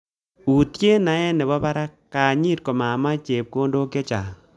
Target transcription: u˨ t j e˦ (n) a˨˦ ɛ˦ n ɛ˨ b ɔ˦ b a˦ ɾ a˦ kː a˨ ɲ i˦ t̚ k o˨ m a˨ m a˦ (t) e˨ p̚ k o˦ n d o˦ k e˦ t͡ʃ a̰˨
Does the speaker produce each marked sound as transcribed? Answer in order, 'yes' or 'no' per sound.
yes, no

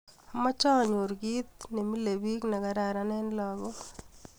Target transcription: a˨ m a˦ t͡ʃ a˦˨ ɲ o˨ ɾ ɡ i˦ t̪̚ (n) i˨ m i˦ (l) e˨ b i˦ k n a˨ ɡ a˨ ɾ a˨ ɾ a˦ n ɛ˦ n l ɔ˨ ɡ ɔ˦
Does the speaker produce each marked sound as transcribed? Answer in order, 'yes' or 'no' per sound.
yes, yes

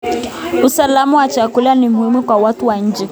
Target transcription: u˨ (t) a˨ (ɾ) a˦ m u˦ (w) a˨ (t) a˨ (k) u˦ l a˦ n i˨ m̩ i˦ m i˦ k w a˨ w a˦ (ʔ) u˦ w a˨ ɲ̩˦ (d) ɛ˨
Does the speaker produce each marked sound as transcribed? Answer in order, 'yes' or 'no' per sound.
no, no, yes, no, yes, no, no

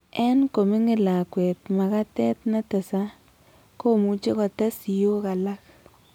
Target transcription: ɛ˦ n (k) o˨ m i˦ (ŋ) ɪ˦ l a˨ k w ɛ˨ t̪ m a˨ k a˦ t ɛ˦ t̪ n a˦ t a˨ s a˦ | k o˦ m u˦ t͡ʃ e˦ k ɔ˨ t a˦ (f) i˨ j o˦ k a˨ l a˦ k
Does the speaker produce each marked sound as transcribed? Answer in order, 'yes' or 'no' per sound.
yes, yes, no

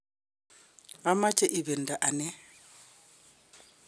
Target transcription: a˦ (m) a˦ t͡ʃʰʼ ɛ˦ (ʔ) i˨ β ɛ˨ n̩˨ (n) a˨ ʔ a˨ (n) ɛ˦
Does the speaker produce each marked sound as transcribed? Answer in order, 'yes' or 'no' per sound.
yes, yes, no, yes

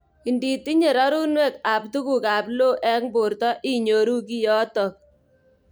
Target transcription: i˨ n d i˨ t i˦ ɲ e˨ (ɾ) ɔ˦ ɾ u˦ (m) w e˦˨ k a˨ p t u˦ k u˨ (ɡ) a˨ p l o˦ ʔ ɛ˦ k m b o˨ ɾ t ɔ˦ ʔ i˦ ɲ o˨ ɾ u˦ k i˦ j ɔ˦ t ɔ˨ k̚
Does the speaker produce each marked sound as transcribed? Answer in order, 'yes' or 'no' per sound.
yes, no, no

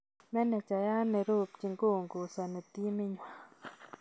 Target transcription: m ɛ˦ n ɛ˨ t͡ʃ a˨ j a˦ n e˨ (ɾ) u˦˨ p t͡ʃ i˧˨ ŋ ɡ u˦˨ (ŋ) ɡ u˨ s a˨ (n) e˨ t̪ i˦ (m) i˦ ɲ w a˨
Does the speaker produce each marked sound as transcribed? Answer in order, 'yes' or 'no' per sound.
yes, yes, yes, yes

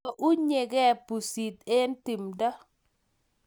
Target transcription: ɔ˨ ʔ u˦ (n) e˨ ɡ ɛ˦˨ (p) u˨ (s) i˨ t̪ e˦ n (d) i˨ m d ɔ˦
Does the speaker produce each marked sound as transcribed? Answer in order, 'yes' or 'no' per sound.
no, yes, yes, no

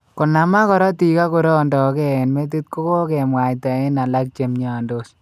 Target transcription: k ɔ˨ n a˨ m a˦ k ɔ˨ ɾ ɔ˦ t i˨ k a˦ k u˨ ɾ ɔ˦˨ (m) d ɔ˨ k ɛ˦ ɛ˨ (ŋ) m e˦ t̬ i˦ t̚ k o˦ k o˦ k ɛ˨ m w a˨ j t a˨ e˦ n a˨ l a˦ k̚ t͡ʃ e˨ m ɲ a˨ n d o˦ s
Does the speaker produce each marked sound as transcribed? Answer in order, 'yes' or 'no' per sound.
no, no

